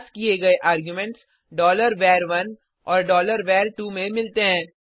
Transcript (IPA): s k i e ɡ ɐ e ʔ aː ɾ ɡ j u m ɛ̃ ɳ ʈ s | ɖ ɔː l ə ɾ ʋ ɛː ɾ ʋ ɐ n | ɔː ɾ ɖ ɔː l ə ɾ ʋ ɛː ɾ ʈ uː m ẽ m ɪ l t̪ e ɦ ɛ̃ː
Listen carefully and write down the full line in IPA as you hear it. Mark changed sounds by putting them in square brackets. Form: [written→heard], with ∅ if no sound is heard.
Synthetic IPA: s k i e ɡ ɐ e ʔ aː ɾ ɡ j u m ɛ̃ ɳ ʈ s | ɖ ɔː l ə ɾ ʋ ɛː ɾ ʋ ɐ n | ɔː ɾ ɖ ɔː l ə ɾ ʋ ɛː ɾ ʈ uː m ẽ m ɪ l t̪ e ɦ ɛ̃ː